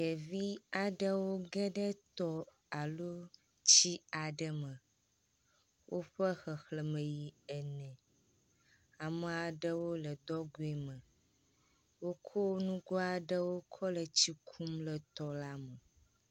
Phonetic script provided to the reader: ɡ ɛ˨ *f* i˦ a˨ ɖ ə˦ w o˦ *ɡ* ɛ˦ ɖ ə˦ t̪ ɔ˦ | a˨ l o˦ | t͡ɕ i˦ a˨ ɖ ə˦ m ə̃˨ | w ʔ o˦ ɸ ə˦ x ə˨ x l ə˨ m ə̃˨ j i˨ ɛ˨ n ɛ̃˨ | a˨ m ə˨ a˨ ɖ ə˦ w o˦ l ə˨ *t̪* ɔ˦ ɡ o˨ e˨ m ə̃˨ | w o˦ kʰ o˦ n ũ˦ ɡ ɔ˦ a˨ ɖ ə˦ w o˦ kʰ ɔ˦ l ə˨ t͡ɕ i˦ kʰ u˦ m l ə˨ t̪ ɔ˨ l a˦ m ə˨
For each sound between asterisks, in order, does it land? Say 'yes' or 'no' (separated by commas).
no, yes, no